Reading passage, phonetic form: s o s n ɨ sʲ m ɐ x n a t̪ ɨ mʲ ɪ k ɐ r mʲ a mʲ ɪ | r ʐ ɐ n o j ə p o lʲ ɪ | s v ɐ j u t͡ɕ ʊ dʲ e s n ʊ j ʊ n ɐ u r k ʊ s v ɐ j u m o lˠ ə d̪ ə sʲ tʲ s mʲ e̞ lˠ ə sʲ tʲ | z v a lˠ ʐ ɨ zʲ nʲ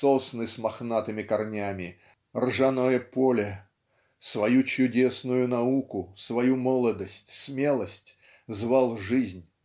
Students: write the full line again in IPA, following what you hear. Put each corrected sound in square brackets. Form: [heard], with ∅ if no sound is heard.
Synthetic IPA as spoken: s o s n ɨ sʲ m ɐ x n a t̪ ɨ mʲ ɪ k ɐ r [nʲ] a mʲ ɪ | r ʐ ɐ n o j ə p o lʲ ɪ | s v ɐ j u t͡ɕ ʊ dʲ e s n ʊ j ʊ n ɐ u [∅] k ʊ s v ɐ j u m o lˠ ə d̪ ə sʲ tʲ s mʲ e̞ lˠ ə sʲ tʲ | z v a lˠ ʐ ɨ zʲ nʲ

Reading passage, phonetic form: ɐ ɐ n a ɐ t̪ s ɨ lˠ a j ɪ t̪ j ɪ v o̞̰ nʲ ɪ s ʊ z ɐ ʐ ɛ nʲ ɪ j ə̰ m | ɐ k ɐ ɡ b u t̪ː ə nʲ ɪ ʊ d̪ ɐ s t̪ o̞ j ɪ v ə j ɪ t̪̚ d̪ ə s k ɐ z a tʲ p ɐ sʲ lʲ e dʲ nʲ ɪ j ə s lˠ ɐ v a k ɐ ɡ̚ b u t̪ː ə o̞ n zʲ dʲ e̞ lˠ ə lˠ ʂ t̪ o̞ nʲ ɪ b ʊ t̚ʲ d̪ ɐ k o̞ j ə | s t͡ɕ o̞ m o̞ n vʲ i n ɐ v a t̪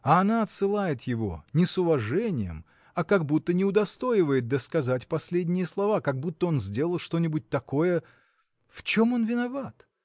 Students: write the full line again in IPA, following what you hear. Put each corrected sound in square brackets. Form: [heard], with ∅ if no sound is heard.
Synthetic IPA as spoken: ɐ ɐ n a ɐ t̪ s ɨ lˠ a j ɪ t̪ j ɪ v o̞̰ nʲ ɪ s ʊ [v] ɐ ʐ ɛ nʲ ɪ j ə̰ m | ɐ k ɐ ɡ b u t̪ː ə nʲ ɪ ʊ d̪ ɐ s t̪ o̞ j ɪ v ə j ɪ t̪̚ d̪ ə s k ɐ z a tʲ p ɐ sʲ lʲ e dʲ nʲ ɪ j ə s lˠ ɐ v a k ɐ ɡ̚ b u t̪ː ə o̞ n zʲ dʲ e̞ lˠ ə lˠ ʂ t̪ o̞ nʲ ɪ b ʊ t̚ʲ [t̪] ɐ k o̞ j ə | [f] t͡ɕ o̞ m o̞ n vʲ [ɪ] n ɐ v a t̪

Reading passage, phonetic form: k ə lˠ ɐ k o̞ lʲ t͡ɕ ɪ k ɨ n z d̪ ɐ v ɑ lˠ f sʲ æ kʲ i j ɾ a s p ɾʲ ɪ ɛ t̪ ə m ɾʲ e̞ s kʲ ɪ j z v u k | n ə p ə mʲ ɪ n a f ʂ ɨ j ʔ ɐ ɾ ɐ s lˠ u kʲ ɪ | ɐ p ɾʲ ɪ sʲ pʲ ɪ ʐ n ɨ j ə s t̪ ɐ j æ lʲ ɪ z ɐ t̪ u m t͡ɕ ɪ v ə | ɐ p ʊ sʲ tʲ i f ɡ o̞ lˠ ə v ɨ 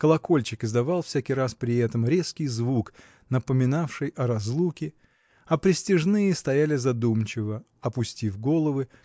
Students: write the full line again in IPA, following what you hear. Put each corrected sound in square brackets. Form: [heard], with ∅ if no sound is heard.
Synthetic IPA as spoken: k ə lˠ ɐ k o̞ lʲ t͡ɕ ɪ k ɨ [∅] z d̪ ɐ v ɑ lˠ f sʲ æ kʲ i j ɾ a s p ɾʲ ɪ ɛ t̪ ə m ɾʲ e̞ s kʲ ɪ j z v u k | n ə p ə mʲ ɪ n a f ʂ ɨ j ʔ ɐ ɾ ɐ [z] lˠ u kʲ ɪ | ɐ p ɾʲ ɪ sʲ [tʲ] ɪ ʐ n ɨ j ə s t̪ ɐ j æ lʲ ɪ z ɐ [d̪] u m t͡ɕ ɪ v ə | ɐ p ʊ sʲ tʲ i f ɡ o̞ lˠ ə v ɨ

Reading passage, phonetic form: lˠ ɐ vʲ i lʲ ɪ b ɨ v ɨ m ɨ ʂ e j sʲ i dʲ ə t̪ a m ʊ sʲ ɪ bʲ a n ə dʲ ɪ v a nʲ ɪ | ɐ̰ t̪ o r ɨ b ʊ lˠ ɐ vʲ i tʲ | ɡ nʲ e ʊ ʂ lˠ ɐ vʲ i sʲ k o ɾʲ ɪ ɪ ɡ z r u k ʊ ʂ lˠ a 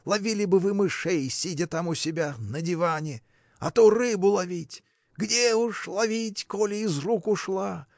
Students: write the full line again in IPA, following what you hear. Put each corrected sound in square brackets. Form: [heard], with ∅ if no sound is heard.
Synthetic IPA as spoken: lˠ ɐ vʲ i lʲ ɪ b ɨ v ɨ m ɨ ʂ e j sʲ i dʲ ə t̪ a m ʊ sʲ ɪ bʲ a n ə dʲ ɪ v a nʲ ɪ | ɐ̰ t̪ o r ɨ b ʊ lˠ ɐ vʲ i tʲ | ɡ [dʲ] e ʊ ʂ lˠ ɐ vʲ i [tʲ] k o [lʲ] ɪ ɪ [∅] z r u k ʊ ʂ lˠ a

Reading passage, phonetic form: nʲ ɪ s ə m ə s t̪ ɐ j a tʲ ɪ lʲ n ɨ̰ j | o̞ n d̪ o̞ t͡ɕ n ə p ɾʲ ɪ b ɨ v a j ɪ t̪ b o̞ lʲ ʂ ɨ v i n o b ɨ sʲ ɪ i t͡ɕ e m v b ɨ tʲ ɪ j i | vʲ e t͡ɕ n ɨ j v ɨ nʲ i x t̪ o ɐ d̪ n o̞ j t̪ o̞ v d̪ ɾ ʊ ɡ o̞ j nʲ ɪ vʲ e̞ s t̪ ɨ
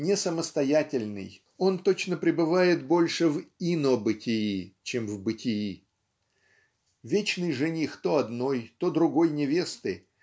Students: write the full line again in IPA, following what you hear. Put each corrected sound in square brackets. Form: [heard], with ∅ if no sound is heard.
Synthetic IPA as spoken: nʲ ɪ s ə m ə s t̪ ɐ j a tʲ ɪ lʲ n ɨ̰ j | o̞ n [t̪] o̞ t͡ɕ n ə p ɾʲ ɪ b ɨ v a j ɪ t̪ b o̞ lʲ ʂ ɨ v i n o b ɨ [tʲ] ɪ i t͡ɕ e m v b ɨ tʲ ɪ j i | vʲ e t͡ɕ n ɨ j [ʐ] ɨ nʲ i x t̪ o ɐ d̪ n o̞ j t̪ o̞ [∅] d̪ ɾ ʊ ɡ o̞ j nʲ ɪ vʲ e̞ s t̪ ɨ

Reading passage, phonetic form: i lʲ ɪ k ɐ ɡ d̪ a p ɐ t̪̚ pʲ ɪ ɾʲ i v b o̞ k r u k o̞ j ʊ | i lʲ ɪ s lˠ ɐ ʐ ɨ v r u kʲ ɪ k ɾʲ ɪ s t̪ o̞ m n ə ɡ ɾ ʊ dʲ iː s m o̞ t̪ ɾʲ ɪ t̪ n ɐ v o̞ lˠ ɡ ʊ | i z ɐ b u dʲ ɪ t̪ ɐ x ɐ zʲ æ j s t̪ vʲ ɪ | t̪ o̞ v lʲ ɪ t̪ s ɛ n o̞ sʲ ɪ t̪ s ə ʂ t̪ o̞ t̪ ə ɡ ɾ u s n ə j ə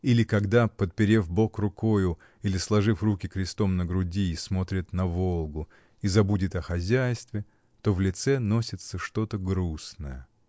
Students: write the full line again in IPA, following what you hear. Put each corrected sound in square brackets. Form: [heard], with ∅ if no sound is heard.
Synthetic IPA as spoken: i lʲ ɪ k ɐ ɡ d̪ a p [ə] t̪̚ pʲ ɪ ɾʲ [e] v b o̞ k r [ʊ] k o̞ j ʊ | i lʲ ɪ s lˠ ɐ ʐ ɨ [f] r u kʲ ɪ k ɾʲ ɪ s t̪ o̞ m n ə ɡ ɾ ʊ dʲ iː s m o̞ t̪ ɾʲ ɪ t̪ n ɐ v o̞ lˠ ɡ ʊ | i z ɐ b u dʲ ɪ t̪ ɐ x ɐ zʲ æ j s t̪ vʲ ɪ | t̪ o̞ v lʲ ɪ t̪ s ɛ n o̞ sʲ ɪ t̪ s ə ʂ t̪ o̞ t̪ ə ɡ ɾ u s n ə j ə

